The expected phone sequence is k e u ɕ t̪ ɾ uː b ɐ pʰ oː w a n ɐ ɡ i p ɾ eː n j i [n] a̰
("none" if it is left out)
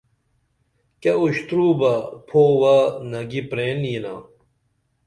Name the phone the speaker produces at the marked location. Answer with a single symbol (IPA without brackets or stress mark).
n